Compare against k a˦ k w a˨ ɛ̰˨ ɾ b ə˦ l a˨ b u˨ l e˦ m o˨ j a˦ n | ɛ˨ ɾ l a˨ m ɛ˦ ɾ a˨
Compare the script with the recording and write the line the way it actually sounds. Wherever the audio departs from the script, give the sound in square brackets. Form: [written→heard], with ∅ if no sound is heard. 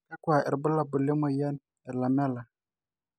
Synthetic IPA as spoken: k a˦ k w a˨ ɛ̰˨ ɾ b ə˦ l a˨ b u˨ l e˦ m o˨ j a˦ n | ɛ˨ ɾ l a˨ m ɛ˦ [ɾ→l] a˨